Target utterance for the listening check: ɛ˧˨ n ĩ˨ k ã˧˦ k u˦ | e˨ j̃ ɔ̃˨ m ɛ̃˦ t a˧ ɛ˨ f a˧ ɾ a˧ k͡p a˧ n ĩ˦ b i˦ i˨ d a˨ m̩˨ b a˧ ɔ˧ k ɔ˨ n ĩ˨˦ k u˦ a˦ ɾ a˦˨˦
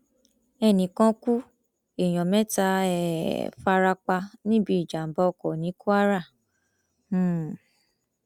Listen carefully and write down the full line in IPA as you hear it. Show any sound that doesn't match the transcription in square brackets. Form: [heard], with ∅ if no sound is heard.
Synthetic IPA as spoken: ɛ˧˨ n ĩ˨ k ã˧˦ k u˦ | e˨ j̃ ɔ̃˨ m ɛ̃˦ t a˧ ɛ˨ f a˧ ɾ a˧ k͡p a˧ n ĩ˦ b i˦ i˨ [d͡ʒ] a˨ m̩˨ b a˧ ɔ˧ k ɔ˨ n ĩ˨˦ k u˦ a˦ ɾ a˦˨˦